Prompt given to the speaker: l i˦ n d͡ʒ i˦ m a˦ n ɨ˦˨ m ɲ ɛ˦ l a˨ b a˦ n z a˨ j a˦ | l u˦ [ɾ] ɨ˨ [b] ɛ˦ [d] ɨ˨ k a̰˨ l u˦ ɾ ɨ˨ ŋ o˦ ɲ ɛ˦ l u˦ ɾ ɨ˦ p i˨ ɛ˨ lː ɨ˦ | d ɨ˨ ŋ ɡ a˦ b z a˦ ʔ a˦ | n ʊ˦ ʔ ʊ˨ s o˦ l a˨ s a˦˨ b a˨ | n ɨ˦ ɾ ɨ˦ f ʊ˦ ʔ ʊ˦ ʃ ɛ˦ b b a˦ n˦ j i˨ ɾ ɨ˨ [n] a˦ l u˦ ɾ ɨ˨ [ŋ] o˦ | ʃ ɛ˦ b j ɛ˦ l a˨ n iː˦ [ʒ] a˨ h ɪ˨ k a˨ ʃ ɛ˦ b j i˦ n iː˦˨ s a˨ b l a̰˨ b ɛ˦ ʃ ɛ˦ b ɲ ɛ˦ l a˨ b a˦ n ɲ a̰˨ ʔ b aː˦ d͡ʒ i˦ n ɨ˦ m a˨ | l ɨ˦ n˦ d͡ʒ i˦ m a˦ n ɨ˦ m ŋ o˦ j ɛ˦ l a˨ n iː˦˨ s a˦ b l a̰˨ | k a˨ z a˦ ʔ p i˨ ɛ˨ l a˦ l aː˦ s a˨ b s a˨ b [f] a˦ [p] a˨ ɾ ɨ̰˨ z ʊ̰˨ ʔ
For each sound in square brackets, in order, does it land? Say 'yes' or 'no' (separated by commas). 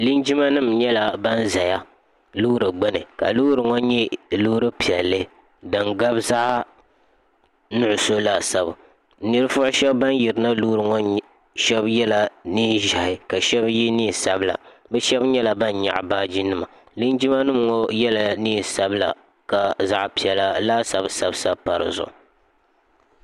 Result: yes, no, no, yes, yes, yes, no, yes